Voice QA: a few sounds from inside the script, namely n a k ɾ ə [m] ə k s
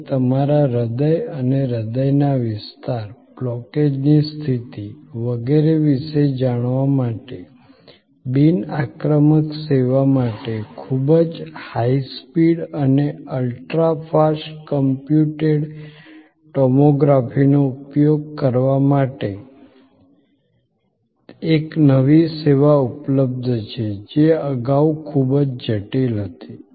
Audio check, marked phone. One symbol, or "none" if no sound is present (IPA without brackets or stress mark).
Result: m